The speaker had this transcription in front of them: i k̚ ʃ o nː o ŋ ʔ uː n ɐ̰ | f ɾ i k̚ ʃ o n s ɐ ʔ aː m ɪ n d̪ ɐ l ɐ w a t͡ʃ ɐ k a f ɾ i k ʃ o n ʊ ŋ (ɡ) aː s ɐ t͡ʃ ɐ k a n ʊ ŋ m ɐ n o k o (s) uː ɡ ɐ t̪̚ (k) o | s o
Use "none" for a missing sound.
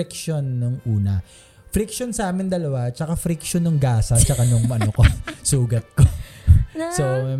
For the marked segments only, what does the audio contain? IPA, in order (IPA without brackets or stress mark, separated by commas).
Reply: ɡ, s, k